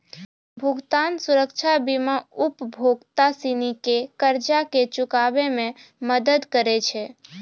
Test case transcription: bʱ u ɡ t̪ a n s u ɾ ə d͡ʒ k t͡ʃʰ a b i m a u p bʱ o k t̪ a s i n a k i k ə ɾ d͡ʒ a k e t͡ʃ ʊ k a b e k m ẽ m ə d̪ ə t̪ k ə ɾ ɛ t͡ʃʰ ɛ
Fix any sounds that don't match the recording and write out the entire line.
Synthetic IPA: bʱ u ɡ t̪ a n s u ɾ ə k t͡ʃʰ a b i m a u p bʱ o ɡ t̪ a s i n i k e k ə ɾ d͡ʒ a k e t͡ʃ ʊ k a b e m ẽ m ə d̪ ə d̪ k ə ɾ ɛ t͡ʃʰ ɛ